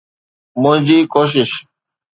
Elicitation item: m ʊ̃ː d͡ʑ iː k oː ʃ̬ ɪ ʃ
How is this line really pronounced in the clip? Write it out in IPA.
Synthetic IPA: m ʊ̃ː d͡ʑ iː k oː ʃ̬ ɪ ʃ